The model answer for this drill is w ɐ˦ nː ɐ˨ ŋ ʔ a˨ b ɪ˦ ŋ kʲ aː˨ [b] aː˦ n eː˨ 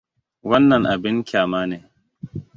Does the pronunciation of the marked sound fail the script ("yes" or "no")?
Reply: yes